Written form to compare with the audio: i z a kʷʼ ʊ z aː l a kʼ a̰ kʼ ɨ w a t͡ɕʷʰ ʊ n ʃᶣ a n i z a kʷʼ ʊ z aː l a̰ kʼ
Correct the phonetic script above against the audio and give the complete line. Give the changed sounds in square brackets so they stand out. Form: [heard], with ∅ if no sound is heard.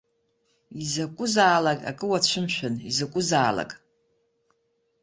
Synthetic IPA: i z a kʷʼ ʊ z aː l a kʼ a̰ kʼ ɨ w a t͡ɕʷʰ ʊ [m] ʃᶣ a n i z a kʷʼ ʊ z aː l a̰ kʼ